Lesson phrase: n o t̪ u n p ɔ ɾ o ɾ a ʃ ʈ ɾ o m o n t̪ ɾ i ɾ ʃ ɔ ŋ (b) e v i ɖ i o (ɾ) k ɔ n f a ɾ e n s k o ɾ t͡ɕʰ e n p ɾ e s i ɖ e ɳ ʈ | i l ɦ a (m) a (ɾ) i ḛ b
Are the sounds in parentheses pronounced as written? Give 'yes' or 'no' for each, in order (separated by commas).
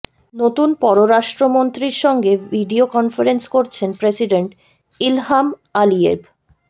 no, no, yes, no